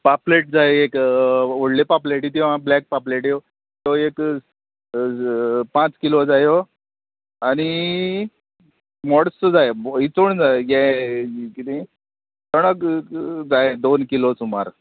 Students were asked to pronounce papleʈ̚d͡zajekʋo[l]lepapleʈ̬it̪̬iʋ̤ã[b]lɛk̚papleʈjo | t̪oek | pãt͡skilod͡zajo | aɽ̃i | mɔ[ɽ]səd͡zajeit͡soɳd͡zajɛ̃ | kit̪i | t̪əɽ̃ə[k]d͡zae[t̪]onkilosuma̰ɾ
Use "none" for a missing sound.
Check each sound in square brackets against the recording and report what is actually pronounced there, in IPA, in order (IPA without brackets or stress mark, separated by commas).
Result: ɽ, b, ɽ, k, d̪